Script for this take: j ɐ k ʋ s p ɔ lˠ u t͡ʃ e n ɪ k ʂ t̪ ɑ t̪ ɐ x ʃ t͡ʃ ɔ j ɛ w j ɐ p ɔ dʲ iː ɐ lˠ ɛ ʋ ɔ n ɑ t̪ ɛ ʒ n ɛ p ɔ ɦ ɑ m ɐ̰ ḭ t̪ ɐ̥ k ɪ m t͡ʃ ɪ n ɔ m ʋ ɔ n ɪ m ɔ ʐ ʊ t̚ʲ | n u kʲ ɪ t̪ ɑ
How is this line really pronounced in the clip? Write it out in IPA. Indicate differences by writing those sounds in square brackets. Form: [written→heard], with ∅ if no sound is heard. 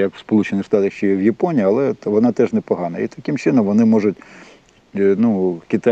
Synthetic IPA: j ɐ k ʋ s p ɔ lˠ u t͡ʃ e n ɪ [k→x] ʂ t̪ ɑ t̪ ɐ x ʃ t͡ʃ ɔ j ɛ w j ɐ p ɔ [dʲ→nʲ] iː ɐ lˠ ɛ ʋ ɔ n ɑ t̪ ɛ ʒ n ɛ p ɔ ɦ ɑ [m→n] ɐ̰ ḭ t̪ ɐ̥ k ɪ m t͡ʃ ɪ n ɔ m ʋ ɔ n ɪ m ɔ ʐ ʊ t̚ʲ | n u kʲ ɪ t̪ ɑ